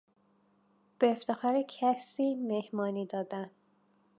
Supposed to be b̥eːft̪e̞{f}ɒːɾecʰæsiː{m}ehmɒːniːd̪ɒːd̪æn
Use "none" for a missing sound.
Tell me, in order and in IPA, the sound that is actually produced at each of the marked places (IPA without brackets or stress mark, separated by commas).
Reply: x, m